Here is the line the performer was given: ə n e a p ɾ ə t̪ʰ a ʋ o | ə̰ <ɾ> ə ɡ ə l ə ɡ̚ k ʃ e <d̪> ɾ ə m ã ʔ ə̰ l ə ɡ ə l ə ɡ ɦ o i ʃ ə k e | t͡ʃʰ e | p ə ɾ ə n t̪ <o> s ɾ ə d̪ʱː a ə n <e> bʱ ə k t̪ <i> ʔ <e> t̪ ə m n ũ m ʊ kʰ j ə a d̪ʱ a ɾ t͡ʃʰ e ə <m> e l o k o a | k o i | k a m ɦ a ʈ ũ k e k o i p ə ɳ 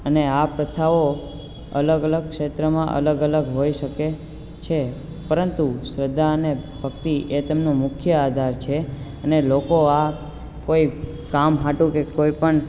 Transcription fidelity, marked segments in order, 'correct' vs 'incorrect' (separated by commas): incorrect, incorrect, incorrect, correct, correct, correct, incorrect